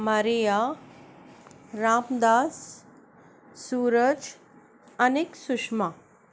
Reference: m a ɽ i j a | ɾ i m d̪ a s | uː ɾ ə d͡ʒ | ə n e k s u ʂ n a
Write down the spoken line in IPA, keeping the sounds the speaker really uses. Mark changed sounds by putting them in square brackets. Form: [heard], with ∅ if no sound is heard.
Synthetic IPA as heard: m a [ɾ] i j a | ɾ [a] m d̪ a s | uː ɾ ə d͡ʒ | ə n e k s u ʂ [m] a